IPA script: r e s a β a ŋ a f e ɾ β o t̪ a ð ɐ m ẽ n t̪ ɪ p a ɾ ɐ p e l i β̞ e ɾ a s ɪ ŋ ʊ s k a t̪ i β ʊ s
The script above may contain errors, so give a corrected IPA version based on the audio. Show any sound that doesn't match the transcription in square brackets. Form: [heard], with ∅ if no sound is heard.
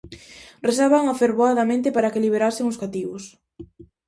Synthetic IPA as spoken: r e s a β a ŋ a f e ɾ β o [∅] a ð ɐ m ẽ n t̪ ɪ p a ɾ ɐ [k] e l i β̞ e ɾ a s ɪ ŋ ʊ s k a t̪ i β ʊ s